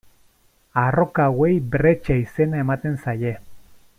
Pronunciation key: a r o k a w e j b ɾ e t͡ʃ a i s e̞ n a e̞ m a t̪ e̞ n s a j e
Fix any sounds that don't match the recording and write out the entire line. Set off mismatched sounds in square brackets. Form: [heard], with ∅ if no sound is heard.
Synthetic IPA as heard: a r o k a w e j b ɾ e t͡ʃ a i s e̞ n a e̞ m a t̪ e̞ n s a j e